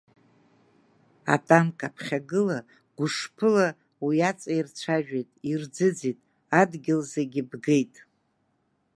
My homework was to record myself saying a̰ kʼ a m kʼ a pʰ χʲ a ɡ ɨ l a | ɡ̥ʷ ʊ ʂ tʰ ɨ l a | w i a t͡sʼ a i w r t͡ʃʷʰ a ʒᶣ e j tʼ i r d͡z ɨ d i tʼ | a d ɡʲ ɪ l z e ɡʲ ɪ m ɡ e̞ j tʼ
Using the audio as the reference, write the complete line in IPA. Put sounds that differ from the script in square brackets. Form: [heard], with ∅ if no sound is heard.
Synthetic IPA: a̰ [tʼ] a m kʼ a pʰ χʲ a ɡ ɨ l a | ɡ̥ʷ ʊ ʂ [pʰ] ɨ l a | w i a t͡sʼ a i [∅] r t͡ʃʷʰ a ʒᶣ e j tʼ i r d͡z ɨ [d͡z] i tʼ | a d ɡʲ ɪ l z e ɡʲ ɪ [b] ɡ e̞ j tʼ